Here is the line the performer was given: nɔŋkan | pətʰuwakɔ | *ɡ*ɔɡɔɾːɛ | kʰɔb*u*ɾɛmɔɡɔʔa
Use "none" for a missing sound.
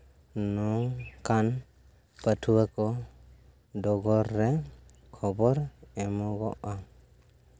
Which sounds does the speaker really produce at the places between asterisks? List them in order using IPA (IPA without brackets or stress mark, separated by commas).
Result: d, ɔ